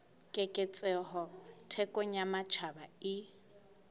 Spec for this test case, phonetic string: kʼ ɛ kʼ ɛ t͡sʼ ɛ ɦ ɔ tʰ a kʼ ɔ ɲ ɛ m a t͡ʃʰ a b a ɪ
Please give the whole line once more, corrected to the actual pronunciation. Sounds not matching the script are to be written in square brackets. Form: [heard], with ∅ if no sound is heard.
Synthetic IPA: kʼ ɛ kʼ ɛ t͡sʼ ɛ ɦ ɔ tʰ [ɛ] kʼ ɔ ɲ [a] m a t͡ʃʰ a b a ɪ